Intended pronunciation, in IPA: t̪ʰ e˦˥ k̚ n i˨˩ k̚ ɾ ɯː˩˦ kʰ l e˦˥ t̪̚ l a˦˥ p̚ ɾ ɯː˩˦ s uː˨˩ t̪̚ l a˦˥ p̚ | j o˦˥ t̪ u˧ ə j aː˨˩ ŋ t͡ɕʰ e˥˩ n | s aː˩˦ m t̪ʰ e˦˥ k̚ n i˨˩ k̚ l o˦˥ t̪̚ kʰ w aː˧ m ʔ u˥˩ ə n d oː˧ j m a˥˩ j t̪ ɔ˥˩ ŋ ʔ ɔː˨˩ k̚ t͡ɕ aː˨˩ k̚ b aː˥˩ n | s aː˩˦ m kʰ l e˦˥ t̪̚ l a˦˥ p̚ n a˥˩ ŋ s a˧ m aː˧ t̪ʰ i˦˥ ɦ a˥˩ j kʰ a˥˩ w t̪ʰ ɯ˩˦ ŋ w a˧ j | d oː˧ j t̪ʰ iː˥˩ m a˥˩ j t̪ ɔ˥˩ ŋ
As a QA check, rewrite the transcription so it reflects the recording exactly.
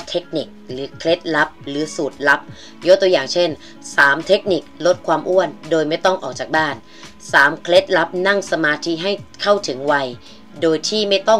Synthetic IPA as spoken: t̪ʰ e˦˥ k̚ n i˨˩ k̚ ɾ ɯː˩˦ kʰ l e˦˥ t̪̚ l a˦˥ p̚ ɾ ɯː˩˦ s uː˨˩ t̪̚ l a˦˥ p̚ | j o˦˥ t̪ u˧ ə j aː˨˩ ŋ t͡ɕʰ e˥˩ n | s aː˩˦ m t̪ʰ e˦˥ k̚ n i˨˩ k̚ l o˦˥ t̪̚ kʰ w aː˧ m ʔ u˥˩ ə n d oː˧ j m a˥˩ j t̪ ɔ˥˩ ŋ ʔ ɔː˨˩ k̚ t͡ɕ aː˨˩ k̚ b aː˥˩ n | s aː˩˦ m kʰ l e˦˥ t̪̚ l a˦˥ p̚ n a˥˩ ŋ s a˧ m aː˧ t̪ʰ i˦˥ ɦ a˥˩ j kʰ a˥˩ w t̪ʰ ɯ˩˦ ŋ w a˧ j | d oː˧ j t̪ʰ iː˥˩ m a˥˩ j t̪ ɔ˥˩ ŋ

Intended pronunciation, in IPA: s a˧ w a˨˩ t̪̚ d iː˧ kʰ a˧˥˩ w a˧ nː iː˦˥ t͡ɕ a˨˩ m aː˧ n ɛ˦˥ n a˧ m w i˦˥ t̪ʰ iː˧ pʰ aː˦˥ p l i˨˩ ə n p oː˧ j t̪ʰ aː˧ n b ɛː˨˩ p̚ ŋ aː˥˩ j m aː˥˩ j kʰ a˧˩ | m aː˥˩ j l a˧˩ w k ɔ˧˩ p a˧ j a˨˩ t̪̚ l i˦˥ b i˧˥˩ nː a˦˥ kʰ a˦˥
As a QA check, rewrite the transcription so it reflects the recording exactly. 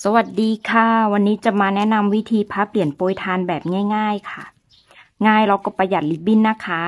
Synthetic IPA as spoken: s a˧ w a˨˩ t̪̚ d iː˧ kʰ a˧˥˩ w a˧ nː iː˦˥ t͡ɕ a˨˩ m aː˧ n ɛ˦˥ n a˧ m w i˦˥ t̪ʰ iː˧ pʰ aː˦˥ p l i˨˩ ə n p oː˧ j t̪ʰ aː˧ n b ɛː˨˩ p̚ ŋ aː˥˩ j ŋ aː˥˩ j kʰ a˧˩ | ŋ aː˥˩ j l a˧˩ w k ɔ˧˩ p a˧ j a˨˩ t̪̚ l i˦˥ b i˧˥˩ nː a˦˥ kʰ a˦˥

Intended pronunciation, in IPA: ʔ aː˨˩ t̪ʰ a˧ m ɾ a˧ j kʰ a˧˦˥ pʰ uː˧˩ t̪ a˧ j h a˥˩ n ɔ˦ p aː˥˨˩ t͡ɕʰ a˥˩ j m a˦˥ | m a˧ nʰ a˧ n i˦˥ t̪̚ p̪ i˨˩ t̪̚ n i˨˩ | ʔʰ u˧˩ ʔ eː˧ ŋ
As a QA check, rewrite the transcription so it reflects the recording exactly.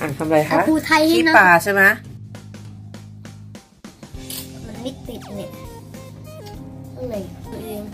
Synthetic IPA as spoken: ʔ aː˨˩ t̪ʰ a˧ m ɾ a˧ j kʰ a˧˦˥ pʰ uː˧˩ t̪ʰ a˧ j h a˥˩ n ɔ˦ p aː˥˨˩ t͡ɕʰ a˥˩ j m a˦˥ | m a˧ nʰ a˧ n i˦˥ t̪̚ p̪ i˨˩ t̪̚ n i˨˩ | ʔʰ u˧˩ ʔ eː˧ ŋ

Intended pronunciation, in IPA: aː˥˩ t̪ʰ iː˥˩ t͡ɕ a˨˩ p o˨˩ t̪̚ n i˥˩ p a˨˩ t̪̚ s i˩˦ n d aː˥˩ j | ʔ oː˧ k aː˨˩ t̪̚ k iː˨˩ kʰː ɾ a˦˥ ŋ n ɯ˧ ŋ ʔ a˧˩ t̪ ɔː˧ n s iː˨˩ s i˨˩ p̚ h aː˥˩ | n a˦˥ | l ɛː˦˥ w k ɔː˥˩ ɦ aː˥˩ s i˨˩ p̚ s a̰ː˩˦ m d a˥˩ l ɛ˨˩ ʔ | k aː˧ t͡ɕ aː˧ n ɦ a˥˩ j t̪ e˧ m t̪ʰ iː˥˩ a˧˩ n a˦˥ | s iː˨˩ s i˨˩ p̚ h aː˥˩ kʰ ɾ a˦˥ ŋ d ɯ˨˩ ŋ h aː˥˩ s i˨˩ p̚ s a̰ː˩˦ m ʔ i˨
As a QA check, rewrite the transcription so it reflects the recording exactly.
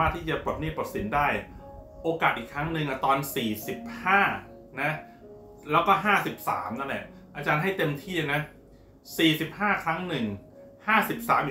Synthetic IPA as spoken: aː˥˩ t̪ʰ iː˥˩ t͡ɕ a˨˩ p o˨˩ t̪̚ n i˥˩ p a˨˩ t̪̚ s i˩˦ n d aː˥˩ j | ʔ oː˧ k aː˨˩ t̪̚ ʔ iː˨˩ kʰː ɾ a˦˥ ŋ n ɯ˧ ŋ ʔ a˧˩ t̪ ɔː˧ n s iː˨˩ s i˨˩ p̚ h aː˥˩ | n a˦˥ | l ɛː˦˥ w k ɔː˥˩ ɦ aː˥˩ s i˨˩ p̚ s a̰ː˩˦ m n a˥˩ l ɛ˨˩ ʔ | ʔ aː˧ t͡ɕ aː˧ n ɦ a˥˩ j t̪ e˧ m t̪ʰ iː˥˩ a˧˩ n a˦˥ | s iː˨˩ s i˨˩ p̚ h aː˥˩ kʰ ɾ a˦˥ ŋ n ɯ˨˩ ŋ h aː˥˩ s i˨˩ p̚ s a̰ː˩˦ m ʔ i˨

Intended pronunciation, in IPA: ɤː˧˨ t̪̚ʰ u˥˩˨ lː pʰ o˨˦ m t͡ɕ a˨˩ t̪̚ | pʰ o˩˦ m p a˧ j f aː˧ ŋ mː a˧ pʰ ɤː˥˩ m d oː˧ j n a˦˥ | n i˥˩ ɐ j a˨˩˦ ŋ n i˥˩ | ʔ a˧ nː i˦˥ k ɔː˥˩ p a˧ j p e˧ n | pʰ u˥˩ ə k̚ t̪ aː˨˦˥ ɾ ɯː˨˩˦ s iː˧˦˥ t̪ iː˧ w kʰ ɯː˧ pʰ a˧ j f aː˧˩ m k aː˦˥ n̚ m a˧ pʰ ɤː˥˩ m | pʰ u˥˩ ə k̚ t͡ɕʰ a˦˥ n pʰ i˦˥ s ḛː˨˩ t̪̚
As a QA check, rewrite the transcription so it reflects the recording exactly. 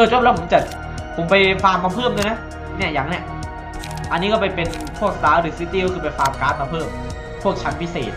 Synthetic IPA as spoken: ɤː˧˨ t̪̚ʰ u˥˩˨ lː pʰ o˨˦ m t͡ɕ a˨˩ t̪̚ | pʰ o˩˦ m p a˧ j f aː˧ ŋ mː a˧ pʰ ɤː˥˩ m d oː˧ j n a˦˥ | n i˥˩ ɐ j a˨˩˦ ŋ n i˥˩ | ʔ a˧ nː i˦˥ k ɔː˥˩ p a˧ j p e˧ n | pʰ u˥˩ ə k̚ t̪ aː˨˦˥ ɾ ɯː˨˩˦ s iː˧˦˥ t̪ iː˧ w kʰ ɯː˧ p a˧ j f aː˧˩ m k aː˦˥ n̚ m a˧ pʰ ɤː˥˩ m | pʰ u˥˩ ə k̚ t͡ɕʰ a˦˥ n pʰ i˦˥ s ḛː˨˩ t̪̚

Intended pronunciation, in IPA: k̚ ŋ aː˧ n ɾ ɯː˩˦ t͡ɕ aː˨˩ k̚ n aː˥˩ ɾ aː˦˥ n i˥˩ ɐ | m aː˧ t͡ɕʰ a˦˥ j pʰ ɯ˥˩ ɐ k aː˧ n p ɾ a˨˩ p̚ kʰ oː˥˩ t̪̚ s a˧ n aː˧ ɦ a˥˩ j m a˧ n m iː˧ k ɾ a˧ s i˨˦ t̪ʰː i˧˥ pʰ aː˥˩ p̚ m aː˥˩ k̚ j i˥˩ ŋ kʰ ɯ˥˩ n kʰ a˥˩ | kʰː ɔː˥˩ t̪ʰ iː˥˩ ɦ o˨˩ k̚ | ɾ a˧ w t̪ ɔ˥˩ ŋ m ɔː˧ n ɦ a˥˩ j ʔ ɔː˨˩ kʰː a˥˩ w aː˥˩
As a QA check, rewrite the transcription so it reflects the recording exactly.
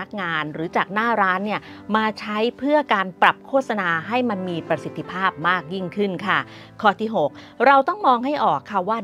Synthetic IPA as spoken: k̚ ŋ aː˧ n ɾ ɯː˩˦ t͡ɕ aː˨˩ k̚ n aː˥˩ ɾ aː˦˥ nː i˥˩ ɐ | m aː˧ t͡ɕʰ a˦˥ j pʰ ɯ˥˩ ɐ k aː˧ n p ɾ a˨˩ p̚ kʰ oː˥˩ t̪̚ s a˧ n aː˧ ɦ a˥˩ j m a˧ n m iː˧ p ɾ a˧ s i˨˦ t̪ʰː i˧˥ pʰ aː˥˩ p̚ m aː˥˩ k̚ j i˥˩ ŋ kʰ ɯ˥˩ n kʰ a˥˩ | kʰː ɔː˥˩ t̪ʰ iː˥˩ ɦ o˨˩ k̚ | ɾ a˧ w t̪ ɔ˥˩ ŋ m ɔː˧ ŋ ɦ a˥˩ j ʔ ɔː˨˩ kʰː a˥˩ w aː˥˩

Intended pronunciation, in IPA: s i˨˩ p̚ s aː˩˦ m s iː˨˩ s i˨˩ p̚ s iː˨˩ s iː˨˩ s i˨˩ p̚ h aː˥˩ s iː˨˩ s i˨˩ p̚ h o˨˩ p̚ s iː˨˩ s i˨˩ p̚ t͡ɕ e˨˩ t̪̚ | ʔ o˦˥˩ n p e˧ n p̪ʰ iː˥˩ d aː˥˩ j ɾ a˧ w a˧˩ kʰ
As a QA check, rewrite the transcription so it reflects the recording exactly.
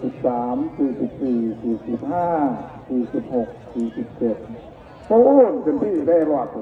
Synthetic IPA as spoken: s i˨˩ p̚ s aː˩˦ m s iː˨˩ s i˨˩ p̚ s iː˨˩ s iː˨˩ s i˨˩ p̚ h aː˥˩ s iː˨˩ s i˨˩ p̚ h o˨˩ k̚ s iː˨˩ s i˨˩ p̚ t͡ɕ e˨˩ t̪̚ | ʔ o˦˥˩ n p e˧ n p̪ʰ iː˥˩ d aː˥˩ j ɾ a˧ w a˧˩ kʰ

